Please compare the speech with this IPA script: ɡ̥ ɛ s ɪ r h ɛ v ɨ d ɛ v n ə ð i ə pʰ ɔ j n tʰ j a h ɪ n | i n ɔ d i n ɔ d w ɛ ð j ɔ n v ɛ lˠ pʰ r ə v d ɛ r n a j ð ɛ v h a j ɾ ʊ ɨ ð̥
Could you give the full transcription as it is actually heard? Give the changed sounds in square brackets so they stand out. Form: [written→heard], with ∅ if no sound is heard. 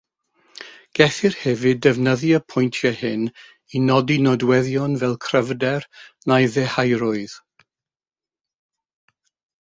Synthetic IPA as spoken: ɡ̥ ɛ [s→θ] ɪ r h ɛ v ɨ d ɛ v n ə ð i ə pʰ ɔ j n tʰ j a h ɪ n | i n ɔ d i n ɔ d w ɛ ð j ɔ n v ɛ lˠ [pʰ→kʰ] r ə v d ɛ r n a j ð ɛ [v→∅] h a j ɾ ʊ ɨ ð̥